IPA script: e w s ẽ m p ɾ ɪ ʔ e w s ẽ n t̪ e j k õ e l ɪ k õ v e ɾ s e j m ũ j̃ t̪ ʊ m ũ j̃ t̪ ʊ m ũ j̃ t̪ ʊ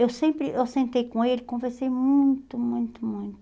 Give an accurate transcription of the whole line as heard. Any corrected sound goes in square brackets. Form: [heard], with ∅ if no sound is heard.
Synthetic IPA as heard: e w s ẽ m p ɾ ɪ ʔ e w s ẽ n t̪ e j k õ e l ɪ k õ v e ɾ s e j m ũ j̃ t̪ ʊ m ũ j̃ t̪ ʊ m ũ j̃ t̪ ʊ

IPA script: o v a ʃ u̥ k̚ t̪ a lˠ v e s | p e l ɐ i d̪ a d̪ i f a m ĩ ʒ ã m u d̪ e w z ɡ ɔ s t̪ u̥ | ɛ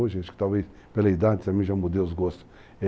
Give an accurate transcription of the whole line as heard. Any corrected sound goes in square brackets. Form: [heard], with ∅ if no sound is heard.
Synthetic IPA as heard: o [ʒ] a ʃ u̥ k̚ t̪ a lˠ v e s | p e l ɐ i d̪ a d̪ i [s] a m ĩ ʒ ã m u d̪ e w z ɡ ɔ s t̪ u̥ | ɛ

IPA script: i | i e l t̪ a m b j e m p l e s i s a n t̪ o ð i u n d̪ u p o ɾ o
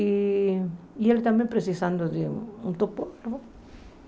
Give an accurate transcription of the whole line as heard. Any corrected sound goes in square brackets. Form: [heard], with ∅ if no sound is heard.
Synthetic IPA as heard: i | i e l t̪ a m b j e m p [ɾ] e s i s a n [d̪] o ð [e] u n [t̪] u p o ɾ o

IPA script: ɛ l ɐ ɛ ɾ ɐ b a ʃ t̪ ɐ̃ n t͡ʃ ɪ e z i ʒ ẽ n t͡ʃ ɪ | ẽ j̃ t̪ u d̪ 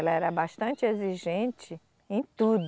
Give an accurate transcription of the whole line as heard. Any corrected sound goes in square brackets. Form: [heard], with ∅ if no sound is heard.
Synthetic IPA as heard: ɛ l ɐ ɛ ɾ ɐ b a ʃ t̪ ɐ̃ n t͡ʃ ɪ e z i ʒ ẽ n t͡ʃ ɪ | ẽ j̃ t̪ u d̪

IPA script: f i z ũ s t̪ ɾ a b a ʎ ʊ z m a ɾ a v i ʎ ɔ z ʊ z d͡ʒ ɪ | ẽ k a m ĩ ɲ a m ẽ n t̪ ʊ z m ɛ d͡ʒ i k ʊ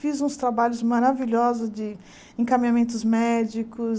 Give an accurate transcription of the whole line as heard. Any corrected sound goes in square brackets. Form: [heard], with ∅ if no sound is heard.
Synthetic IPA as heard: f i z ũ s t̪ ɾ a b a ʎ ʊ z m a ɾ a v i ʎ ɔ z ʊ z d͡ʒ ɪ | ẽ k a m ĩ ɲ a m ẽ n t̪ ʊ z m ɛ d͡ʒ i k ʊ

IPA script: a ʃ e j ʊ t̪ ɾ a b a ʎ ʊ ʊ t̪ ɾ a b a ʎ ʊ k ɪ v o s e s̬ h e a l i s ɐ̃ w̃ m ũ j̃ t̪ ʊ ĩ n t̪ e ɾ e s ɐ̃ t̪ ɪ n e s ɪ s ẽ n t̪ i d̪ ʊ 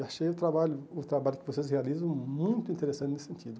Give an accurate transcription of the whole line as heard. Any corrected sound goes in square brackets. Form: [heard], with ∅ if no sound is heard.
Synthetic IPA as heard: a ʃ e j ʊ t̪ ɾ a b a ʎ ʊ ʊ t̪ ɾ a b a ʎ ʊ k ɪ v o s e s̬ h e a l i [z] ɐ̃ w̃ m ũ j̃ t̪ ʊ ĩ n t̪ e ɾ e s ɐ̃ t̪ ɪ n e s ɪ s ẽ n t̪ i d̪ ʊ

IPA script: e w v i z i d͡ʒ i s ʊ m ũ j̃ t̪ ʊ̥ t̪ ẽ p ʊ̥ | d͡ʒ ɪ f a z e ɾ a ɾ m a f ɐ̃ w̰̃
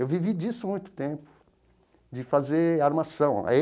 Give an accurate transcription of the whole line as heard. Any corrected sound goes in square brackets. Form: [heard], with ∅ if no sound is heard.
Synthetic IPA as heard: e w v i [v] i d͡ʒ i s ʊ m ũ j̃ t̪ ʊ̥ t̪ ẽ p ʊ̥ | d͡ʒ ɪ f a z e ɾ a ɾ m a [s] ɐ̃ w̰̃

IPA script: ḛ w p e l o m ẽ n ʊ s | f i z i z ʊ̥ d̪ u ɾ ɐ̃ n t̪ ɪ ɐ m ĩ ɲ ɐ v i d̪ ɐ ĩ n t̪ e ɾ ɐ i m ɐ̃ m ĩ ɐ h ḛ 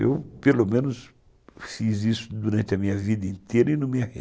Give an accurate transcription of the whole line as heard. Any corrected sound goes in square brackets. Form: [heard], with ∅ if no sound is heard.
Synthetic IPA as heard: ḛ w p e l o m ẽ n ʊ s | f i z i [s] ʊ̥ d̪ u ɾ ɐ̃ n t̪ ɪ ɐ m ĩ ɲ ɐ v i d̪ ɐ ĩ n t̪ e ɾ ɐ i [n] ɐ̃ m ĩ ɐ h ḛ

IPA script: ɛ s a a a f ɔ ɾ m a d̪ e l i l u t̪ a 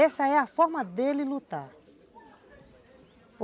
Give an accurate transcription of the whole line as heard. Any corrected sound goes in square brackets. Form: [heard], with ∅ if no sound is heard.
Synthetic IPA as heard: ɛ s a [ɛ] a f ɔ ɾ m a d̪ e l i l u t̪ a

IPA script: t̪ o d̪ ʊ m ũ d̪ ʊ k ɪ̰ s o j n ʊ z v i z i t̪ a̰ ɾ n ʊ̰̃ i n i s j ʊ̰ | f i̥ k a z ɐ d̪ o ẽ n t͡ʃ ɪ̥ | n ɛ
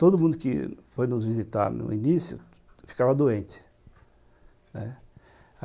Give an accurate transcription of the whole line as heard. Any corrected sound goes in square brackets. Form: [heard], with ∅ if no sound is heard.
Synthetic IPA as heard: t̪ o d̪ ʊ m ũ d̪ ʊ k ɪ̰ [f] o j n ʊ z v i z i t̪ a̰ ɾ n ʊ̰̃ i n i s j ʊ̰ | f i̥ k a [v] ɐ d̪ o ẽ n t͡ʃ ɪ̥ | n ɛ

